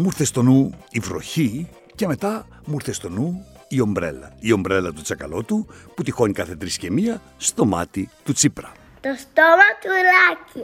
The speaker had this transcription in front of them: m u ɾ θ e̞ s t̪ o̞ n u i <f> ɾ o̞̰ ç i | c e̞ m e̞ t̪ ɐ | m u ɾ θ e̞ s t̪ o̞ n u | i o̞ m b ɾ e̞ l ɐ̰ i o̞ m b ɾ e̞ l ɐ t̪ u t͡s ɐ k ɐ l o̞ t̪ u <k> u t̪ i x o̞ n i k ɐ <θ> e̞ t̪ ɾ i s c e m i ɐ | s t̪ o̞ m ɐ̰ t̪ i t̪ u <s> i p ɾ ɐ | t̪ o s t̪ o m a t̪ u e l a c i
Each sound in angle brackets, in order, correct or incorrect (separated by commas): incorrect, incorrect, correct, incorrect